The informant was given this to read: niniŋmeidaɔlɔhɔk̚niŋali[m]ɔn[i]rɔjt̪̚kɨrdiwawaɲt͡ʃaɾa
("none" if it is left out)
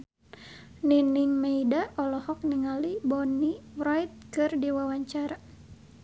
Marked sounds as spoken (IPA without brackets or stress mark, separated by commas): b, i